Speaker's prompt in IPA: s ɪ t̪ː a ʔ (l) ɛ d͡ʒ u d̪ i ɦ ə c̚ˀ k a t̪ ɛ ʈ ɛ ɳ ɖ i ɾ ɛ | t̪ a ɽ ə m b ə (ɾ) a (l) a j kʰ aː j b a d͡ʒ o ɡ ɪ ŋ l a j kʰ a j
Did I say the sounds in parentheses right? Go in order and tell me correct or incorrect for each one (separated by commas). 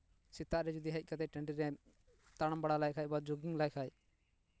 incorrect, incorrect, correct